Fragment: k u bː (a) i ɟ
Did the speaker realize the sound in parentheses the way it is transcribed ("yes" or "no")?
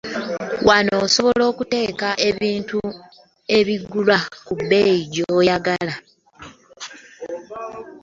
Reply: no